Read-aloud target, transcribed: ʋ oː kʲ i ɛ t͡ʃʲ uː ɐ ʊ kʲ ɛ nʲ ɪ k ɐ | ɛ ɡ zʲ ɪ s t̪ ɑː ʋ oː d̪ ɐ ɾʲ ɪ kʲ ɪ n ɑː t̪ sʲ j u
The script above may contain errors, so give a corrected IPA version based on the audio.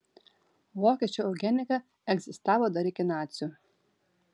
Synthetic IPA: ʋ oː kʲ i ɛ t͡ʃʲ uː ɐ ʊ ɡʲ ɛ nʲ ɪ k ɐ | ɛ ɡ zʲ ɪ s t̪ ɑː ʋ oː d̪ ɐ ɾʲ ɪ kʲ ɪ n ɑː t̪ sʲ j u